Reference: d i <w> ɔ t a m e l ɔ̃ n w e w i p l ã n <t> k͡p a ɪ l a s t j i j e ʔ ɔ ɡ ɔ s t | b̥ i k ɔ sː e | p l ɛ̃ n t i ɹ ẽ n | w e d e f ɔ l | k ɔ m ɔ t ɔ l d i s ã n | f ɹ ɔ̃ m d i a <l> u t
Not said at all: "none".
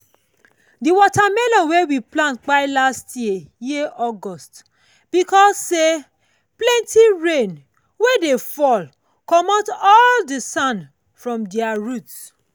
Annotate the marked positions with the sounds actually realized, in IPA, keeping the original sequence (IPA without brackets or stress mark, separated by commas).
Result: w, t, ɹ